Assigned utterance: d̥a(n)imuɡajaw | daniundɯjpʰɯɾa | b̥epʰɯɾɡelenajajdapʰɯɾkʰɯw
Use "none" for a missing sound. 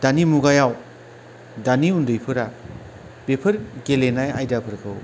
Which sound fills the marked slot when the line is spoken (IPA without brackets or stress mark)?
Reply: n